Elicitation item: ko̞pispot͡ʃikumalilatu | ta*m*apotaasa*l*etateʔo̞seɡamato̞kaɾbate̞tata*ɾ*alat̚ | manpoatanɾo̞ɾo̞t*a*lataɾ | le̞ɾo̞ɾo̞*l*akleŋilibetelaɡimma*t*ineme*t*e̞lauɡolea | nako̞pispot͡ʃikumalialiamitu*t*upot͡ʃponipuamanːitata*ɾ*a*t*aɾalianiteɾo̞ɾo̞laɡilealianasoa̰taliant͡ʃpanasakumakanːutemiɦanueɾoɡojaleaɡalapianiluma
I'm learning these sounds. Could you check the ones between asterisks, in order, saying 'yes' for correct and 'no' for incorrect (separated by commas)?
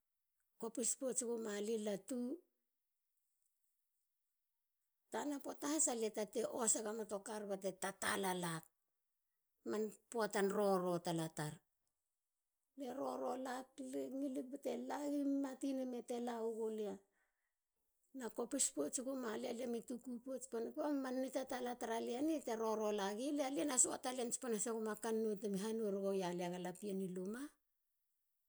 no, yes, no, yes, yes, yes, yes, no, no, yes